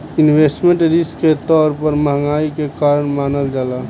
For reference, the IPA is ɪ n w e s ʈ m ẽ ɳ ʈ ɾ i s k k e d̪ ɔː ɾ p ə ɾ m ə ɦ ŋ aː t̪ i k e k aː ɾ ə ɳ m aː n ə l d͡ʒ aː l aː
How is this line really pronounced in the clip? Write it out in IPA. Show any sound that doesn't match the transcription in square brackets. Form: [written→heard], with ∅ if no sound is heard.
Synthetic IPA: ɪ n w e s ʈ m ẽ ɳ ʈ ɾ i s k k e [d̪→t̪] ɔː ɾ p ə ɾ m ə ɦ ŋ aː [t̪→∅] i k e k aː ɾ ə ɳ m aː n ə l d͡ʒ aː l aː